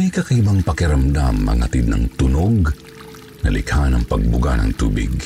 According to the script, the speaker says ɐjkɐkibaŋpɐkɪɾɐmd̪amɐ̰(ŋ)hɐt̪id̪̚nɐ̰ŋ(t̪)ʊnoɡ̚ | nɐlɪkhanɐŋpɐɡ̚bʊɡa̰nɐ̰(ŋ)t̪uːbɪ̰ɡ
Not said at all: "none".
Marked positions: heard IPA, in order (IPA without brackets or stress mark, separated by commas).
ŋ, t̪, ŋ